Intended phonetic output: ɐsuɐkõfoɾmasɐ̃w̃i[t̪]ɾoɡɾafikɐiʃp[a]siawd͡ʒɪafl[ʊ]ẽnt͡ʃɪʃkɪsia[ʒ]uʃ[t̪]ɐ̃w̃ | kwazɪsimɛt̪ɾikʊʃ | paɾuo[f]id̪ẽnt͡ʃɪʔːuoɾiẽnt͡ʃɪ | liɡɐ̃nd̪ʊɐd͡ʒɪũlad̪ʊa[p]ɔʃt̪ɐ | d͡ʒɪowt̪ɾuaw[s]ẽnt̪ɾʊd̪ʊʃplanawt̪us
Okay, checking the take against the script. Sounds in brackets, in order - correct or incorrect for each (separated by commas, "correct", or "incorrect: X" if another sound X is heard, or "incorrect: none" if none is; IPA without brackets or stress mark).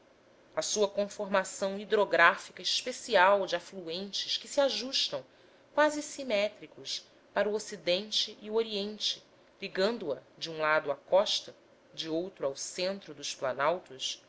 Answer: incorrect: d̪, incorrect: e, incorrect: u, correct, correct, incorrect: s, incorrect: k, correct